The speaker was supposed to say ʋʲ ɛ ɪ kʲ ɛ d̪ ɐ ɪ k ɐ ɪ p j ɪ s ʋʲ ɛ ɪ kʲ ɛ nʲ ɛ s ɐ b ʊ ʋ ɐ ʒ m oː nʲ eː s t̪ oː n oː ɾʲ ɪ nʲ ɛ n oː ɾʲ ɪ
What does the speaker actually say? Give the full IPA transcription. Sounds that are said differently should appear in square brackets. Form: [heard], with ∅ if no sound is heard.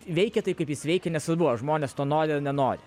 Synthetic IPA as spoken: ʋʲ ɛ ɪ kʲ ɛ [t̪] ɐ ɪ k ɐ ɪ p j ɪ s ʋʲ ɛ ɪ kʲ ɛ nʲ ɛ s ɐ b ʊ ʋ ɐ ʒ m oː nʲ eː s t̪ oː n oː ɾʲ ɪ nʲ ɛ n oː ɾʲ ɪ

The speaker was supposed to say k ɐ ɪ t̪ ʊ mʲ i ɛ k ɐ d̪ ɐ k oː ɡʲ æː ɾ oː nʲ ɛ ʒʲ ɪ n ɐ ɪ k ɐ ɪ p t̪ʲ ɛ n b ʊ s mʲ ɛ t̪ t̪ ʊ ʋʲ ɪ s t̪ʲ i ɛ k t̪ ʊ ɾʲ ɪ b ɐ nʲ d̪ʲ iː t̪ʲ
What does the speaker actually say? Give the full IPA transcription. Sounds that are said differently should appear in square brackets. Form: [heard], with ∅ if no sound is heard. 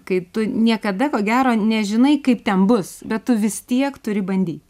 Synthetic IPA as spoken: k ɐ ɪ t̪ ʊ [nʲ] i ɛ k ɐ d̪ ɐ k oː ɡʲ æː ɾ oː nʲ ɛ ʒʲ ɪ n ɐ ɪ k ɐ ɪ p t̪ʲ ɛ n b ʊ s [bʲ] ɛ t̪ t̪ ʊ ʋʲ ɪ s t̪ʲ i ɛ k t̪ ʊ ɾʲ ɪ b ɐ nʲ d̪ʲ iː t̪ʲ

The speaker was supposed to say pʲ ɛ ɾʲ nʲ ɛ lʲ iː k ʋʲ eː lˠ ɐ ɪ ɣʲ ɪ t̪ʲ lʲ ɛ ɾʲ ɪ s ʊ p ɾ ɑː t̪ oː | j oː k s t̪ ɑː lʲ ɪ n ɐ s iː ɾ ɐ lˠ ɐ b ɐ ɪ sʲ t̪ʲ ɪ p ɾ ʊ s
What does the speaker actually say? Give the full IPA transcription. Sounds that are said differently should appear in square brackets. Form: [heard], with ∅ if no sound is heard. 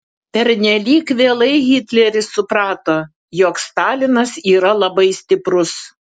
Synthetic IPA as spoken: pʲ ɛ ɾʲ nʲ ɛ lʲ iː k ʋʲ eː lˠ ɐ ɪ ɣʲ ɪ t̪ʲ lʲ ɛ ɾʲ ɪ s ʊ p ɾ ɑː t̪ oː | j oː k s t̪ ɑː lʲ ɪ n ɐ s iː ɾ ɐ lˠ ɐ b ɐ ɪ sʲ t̪ʲ ɪ p ɾ ʊ s

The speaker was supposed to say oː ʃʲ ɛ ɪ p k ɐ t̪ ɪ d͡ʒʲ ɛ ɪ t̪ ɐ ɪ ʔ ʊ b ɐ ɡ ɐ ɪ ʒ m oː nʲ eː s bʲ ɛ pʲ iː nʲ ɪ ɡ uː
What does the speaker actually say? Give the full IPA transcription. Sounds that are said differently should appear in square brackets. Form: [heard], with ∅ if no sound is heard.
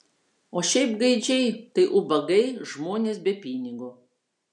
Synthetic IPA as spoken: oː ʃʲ ɛ ɪ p [ɡ] ɐ [∅] ɪ d͡ʒʲ ɛ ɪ t̪ ɐ ɪ ʔ ʊ b ɐ ɡ ɐ ɪ ʒ m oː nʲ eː s bʲ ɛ pʲ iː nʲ ɪ ɡ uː

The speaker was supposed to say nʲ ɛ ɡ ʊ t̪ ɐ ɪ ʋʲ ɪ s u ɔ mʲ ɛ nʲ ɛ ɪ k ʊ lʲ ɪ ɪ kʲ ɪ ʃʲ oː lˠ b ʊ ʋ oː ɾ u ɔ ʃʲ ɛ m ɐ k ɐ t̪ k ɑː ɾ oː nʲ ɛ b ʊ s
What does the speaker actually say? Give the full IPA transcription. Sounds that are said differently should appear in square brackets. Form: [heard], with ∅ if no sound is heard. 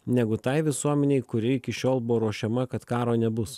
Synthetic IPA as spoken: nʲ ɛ ɡ ʊ t̪ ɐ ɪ ʋʲ ɪ s u ɔ mʲ ɛ nʲ ɛ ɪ k ʊ [ɾʲ] ɪ ɪ kʲ ɪ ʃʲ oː lˠ b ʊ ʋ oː ɾ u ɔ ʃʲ ɛ m ɐ k ɐ t̪ k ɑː ɾ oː nʲ ɛ b ʊ s

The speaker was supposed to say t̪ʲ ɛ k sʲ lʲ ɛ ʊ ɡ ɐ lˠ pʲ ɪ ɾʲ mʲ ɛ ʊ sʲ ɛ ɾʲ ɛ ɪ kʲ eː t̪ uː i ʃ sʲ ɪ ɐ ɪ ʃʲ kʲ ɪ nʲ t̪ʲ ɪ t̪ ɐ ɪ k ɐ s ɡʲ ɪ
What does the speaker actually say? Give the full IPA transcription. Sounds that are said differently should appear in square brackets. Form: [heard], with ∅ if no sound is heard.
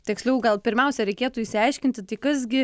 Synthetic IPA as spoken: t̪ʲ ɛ k sʲ lʲ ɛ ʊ ɡ ɐ lˠ pʲ ɪ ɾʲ mʲ ɛ ʊ sʲ ɛ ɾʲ ɛ ɪ kʲ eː t̪ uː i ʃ sʲ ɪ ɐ ɪ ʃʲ kʲ ɪ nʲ t̪ʲ ɪ t̪ ɐ ɪ k ɐ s ɡʲ ɪ

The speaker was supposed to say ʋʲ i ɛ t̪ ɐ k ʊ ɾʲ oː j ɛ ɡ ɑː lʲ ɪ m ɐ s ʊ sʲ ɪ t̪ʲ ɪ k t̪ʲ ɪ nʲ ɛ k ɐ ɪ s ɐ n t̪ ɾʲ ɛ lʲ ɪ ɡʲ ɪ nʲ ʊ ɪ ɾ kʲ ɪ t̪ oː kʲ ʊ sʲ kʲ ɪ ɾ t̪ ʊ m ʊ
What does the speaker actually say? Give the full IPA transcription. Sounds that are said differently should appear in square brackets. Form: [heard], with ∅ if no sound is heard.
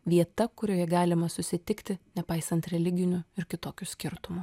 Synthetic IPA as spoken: ʋʲ i ɛ t̪ ɐ k ʊ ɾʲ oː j ɛ ɡ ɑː lʲ ɪ m ɐ s ʊ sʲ ɪ t̪ʲ ɪ k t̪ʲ ɪ nʲ ɛ [p] ɐ ɪ s ɐ n t̪ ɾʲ ɛ lʲ ɪ ɡʲ ɪ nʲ ʊ ɪ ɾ kʲ ɪ t̪ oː kʲ ʊ sʲ kʲ ɪ ɾ t̪ ʊ m ʊ

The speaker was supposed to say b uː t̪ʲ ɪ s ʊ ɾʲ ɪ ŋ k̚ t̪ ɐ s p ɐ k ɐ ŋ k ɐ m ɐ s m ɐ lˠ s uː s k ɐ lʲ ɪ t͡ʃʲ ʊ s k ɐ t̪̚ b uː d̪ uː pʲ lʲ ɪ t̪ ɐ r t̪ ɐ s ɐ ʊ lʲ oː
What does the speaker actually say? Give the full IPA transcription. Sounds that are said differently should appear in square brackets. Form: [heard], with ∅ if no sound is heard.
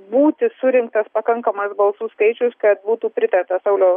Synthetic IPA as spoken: b uː t̪ʲ ɪ s ʊ ɾʲ ɪ ŋ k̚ t̪ ɐ s p ɐ k ɐ ŋ k ɐ m ɐ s [b] ɐ lˠ s uː s k ɐ [∅] ɪ t͡ʃʲ ʊ s k ɐ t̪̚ b uː [t̪] uː pʲ [ɾʲ] ɪ t̪ ɐ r t̪ ɐ s ɐ ʊ lʲ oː

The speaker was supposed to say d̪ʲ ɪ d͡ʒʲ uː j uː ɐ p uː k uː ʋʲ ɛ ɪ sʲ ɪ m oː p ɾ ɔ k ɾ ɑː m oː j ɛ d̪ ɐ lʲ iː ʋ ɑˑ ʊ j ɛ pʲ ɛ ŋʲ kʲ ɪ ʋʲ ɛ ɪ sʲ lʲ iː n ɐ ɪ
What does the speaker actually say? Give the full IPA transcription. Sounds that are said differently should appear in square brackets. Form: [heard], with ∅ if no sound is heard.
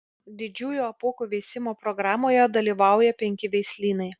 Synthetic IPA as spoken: d̪ʲ ɪ d͡ʒʲ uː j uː ɐ p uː k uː ʋʲ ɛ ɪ sʲ ɪ m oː p ɾ ɔ [ɡ] ɾ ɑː m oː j ɛ d̪ ɐ lʲ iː ʋ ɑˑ ʊ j ɛ pʲ ɛ ŋʲ kʲ ɪ ʋʲ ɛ ɪ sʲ lʲ iː n ɐ ɪ

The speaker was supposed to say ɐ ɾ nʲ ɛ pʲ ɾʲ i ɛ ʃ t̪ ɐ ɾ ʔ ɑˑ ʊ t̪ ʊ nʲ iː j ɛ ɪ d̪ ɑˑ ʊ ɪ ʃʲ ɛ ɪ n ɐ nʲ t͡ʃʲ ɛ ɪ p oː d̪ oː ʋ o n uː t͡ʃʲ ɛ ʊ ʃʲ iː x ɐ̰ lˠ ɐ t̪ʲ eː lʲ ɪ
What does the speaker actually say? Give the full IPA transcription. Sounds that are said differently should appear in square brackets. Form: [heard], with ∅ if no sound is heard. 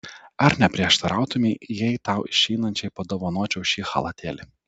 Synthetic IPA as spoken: ɐ ɾ nʲ ɛ pʲ ɾʲ i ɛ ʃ t̪ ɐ ɾ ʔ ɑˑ ʊ t̪ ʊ [mʲ] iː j ɛ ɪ [t̪] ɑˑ ʊ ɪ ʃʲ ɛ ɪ n ɐ nʲ t͡ʃʲ ɛ ɪ p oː d̪ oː ʋ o n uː t͡ʃʲ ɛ ʊ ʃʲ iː x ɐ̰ lˠ ɐ t̪ʲ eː lʲ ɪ

